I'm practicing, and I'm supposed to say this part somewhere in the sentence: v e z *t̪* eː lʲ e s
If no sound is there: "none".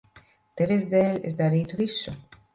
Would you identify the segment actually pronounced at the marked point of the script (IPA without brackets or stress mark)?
d̪